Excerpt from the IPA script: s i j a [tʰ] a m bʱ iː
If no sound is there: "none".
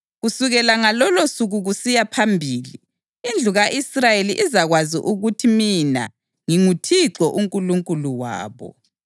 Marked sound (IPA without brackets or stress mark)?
pʰ